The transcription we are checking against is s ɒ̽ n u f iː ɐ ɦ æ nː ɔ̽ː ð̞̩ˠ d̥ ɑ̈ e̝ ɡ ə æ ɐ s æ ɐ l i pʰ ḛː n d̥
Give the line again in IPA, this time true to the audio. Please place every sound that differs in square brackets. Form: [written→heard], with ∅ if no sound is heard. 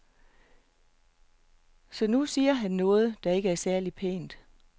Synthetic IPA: s ɒ̽ n u [f→s] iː ɐ ɦ æ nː ɔ̽ː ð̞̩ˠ d̥ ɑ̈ e̝ ɡ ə æ ɐ s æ ɐ l i pʰ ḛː n d̥